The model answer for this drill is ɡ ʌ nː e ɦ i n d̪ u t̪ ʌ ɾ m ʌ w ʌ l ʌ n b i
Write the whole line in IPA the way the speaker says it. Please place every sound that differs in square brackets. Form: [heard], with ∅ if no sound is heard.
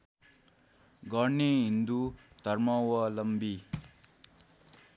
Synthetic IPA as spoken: ɡ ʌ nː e ɦ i n d̪ u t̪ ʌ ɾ m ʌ w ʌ l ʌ [m] b i